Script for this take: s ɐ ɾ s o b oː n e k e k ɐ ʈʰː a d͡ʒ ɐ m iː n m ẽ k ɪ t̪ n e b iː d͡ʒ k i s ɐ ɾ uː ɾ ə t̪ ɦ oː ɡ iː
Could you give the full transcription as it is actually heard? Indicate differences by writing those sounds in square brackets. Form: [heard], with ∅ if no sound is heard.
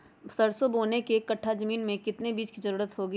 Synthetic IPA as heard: s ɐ ɾ s o b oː n e k e k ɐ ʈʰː a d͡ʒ ɐ m iː n m ẽ k ɪ t̪ n e b iː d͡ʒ k i [z] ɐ ɾ uː ɾ ə t̪ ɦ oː ɡ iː